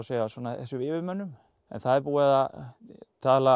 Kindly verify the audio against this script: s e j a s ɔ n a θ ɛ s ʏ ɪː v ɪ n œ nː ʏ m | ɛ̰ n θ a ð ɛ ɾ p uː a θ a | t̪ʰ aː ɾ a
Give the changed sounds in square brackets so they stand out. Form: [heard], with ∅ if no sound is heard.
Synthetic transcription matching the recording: s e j a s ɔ n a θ ɛ s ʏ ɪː v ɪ [m] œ nː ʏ m | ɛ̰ n θ a ð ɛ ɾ p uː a [ð] a | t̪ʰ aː [l] a